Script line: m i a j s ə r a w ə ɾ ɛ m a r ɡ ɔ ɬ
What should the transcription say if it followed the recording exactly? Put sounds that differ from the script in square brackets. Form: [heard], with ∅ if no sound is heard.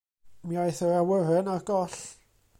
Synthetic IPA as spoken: m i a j [θ] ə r a w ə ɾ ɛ [n] a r ɡ ɔ ɬ